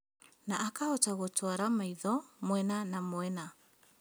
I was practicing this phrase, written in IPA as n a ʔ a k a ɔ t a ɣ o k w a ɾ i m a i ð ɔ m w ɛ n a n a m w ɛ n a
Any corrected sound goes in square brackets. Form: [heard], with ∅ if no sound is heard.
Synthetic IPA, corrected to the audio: n a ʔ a k a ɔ t a ɣ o [t] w a ɾ [a] m a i ð ɔ m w ɛ n a n a m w ɛ n a